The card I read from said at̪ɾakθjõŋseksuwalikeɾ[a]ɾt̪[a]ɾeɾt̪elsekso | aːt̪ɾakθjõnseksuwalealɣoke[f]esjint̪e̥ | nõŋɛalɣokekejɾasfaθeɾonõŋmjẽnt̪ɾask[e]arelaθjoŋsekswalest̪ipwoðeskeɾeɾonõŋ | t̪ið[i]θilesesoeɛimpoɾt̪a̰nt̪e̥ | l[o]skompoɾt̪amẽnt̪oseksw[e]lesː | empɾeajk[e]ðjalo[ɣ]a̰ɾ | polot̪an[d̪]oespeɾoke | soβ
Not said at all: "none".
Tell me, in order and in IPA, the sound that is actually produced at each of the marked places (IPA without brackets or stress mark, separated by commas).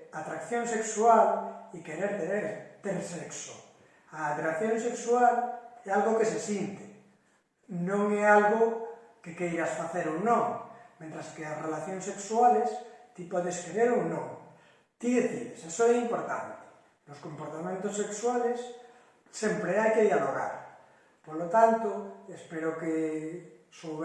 e, e, s, e, e, o, a, e, ɣ, t̪